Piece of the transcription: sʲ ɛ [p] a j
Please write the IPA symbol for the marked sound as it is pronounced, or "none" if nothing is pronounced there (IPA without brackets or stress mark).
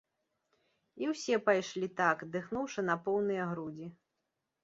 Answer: p